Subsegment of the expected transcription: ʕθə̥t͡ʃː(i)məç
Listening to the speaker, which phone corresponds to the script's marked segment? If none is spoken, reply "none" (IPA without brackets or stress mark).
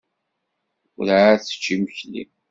i